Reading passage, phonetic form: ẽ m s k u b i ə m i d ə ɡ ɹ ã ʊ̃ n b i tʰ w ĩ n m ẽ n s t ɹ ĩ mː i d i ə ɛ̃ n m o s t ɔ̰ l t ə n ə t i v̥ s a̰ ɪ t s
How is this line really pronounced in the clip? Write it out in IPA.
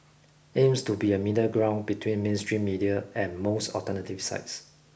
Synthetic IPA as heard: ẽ m s t u b i ə m i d ə ɡ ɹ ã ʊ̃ n b i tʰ w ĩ n m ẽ n s t ɹ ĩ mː i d i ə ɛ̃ n m o s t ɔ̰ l t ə n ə t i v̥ s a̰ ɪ t s